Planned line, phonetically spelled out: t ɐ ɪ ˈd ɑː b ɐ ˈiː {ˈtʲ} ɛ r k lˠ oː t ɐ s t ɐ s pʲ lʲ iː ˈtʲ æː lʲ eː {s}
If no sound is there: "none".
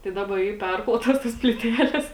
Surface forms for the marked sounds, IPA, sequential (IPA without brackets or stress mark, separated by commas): pʲ, s